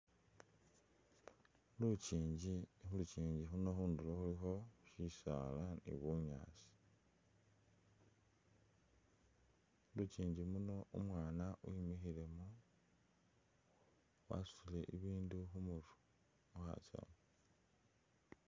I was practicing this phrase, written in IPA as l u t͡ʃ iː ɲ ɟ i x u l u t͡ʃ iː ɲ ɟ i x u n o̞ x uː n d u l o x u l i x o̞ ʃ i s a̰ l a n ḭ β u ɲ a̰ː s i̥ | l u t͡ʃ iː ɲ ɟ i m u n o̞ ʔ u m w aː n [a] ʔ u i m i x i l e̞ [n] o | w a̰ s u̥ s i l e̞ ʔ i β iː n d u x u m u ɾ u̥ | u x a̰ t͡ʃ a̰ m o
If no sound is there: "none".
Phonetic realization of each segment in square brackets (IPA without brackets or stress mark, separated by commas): a, m